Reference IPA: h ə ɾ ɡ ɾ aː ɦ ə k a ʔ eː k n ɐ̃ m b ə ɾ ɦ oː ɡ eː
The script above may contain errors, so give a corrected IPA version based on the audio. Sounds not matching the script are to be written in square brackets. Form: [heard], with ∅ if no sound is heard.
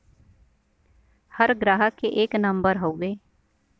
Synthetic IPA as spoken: h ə ɾ ɡ ɾ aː ɦ ə k [e] ʔ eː k n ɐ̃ m b ə ɾ ɦ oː ɡ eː